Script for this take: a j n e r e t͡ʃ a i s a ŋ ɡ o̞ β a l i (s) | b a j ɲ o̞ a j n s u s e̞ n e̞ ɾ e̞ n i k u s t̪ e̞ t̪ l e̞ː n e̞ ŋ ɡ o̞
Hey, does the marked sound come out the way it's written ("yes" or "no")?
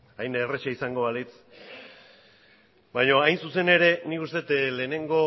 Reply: no